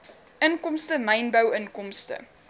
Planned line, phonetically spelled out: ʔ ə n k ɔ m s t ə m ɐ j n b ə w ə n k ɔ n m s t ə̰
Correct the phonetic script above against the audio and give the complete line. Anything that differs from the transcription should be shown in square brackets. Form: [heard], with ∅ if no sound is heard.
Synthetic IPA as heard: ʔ ə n k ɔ m s t ə m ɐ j n b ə w ə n k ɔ [∅] m s t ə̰